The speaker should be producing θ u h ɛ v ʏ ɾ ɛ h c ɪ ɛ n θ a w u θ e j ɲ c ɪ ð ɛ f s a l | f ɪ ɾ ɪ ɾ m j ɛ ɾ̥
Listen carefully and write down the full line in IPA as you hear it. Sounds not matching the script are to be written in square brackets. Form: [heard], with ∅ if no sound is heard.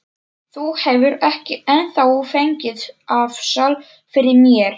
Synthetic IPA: θ u h ɛ v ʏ ɾ ɛ h c ɪ ɛ n θ a w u [f] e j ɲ c ɪ ð [a] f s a l | f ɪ ɾ ɪ ɾ m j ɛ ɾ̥